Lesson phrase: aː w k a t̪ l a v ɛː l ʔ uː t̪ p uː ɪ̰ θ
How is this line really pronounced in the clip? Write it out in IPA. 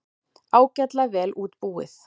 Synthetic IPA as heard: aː w c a t̪ l a v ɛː l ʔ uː t̪ p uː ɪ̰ θ